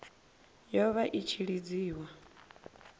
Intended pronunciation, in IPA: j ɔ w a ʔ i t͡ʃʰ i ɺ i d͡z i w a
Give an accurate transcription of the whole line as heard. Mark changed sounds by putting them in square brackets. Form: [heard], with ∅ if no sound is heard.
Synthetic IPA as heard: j ɔ [β] a ʔ i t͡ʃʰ i ɺ i d͡z [iː] w a